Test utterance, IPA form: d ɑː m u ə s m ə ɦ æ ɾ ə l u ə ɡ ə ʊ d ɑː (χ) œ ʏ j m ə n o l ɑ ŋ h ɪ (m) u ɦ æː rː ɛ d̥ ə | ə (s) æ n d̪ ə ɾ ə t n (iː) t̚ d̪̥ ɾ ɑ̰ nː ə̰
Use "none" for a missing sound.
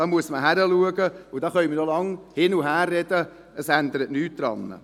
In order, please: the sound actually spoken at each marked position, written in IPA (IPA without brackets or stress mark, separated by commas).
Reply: χ, n, s, yː